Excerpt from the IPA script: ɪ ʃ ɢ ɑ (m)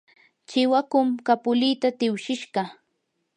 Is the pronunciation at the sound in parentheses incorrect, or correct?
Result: incorrect